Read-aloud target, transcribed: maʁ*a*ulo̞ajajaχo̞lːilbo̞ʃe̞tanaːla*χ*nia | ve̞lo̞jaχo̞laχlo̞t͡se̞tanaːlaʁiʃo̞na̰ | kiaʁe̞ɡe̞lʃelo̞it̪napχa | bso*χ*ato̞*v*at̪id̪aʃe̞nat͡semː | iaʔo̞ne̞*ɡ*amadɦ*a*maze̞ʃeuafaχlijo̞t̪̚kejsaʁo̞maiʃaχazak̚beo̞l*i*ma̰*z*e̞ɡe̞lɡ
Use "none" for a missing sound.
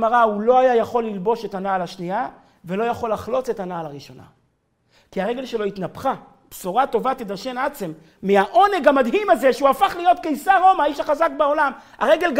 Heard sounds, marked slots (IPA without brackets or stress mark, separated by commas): a, ʃ, ʁ, v, ɡ, i, a, ʁ